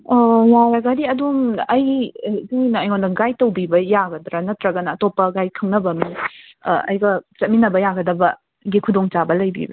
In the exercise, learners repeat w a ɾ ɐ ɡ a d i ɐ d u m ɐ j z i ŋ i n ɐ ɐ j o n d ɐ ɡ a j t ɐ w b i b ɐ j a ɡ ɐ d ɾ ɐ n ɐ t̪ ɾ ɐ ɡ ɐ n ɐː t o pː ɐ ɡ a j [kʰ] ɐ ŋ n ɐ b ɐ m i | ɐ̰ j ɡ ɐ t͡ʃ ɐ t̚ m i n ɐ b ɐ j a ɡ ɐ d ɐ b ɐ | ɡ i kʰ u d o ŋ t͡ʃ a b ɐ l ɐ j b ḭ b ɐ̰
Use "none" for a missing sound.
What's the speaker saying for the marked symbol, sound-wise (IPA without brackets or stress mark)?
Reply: kʰ